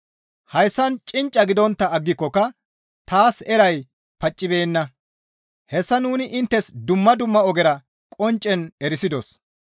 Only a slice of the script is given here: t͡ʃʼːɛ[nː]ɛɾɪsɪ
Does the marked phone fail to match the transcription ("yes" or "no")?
yes